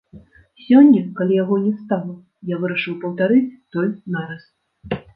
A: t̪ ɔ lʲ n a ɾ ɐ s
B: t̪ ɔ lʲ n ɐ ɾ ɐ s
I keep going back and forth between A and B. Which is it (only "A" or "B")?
A